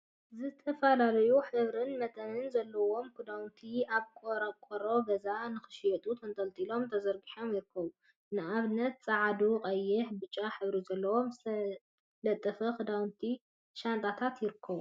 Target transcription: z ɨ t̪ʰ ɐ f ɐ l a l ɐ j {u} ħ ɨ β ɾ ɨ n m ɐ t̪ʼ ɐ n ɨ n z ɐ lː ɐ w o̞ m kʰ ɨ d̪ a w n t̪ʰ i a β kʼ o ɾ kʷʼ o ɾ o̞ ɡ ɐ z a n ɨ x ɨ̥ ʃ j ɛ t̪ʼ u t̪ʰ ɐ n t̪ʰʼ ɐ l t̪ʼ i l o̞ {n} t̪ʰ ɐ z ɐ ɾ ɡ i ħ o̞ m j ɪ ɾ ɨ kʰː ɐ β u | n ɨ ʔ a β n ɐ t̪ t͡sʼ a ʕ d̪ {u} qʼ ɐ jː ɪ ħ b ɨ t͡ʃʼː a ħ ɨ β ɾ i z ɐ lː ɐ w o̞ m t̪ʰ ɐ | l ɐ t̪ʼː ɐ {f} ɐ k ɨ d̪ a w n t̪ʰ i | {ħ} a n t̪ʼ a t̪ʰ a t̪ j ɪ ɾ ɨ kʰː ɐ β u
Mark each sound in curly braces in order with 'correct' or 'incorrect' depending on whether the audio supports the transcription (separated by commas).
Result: correct, incorrect, correct, correct, incorrect